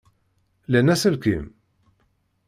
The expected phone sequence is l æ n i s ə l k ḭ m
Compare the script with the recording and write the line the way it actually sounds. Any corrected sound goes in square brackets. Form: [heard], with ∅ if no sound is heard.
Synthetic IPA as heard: l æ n [æ] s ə l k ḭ m